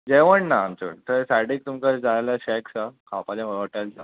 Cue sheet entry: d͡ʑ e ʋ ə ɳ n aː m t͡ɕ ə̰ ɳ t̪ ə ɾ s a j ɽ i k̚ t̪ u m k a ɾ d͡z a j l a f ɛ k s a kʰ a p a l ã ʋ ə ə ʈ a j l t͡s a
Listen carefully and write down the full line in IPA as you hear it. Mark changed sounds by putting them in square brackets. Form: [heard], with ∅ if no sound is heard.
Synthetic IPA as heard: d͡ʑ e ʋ ə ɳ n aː m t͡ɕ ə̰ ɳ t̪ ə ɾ s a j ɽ i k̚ t̪ u m k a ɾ d͡z a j l a [ɕ] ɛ k s a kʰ a p a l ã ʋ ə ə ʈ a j l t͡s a